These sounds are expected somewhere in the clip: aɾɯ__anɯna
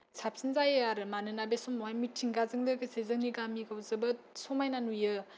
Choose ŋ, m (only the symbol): m